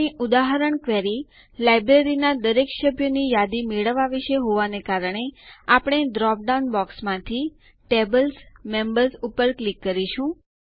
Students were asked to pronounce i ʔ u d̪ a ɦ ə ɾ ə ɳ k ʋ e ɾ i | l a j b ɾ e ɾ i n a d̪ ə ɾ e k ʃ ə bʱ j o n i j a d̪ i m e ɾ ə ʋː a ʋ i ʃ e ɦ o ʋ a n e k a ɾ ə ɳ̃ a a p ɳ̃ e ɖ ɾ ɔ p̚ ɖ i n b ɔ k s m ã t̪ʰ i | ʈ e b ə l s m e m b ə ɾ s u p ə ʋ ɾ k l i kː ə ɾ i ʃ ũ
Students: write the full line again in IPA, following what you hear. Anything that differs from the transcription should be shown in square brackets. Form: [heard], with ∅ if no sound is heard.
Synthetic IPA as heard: i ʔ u d̪ a ɦ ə ɾ ə ɳ k ʋ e ɾ i | l a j b ɾ e ɾ i n a d̪ ə ɾ e k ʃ ə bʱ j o n i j a d̪ i m e [ɭ] ə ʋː a ʋ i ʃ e ɦ o ʋ a n e k a ɾ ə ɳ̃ [e] a p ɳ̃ e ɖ ɾ ɔ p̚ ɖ [a] n b ɔ k s m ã t̪ʰ i | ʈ e b ə l s m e m b ə ɾ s u p ə [∅] ɾ k l i kː ə ɾ i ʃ ũ